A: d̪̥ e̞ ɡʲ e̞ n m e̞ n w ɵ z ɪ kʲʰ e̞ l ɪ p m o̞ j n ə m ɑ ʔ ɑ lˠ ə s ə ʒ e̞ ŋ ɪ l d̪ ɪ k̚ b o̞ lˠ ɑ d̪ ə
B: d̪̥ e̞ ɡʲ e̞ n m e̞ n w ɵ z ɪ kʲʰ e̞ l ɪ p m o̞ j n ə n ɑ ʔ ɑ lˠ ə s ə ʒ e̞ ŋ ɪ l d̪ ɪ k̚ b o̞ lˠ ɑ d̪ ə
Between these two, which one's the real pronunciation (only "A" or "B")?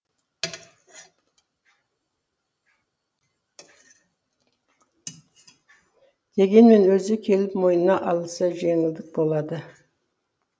B